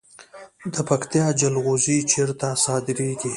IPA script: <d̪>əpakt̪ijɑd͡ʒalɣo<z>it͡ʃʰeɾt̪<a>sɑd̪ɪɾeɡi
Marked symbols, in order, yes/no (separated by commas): yes, yes, yes